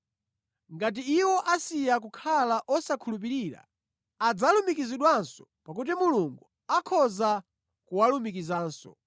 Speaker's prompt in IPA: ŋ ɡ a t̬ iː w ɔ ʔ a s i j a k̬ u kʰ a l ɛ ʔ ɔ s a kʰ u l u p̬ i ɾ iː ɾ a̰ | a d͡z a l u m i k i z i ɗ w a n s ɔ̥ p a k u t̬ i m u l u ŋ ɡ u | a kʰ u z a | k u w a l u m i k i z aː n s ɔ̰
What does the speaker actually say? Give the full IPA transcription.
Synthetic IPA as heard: ŋ ɡ a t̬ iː w ɔ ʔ a s i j a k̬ u kʰ a l a ʔ ɔ s a kʰ u l u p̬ i ɾ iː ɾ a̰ | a d͡z a l u m i k i z i ɗ w a n s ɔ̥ p a k u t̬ i m u l u ŋ ɡ u | a kʰ ɔ z a | k u w a l u m i k i z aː n s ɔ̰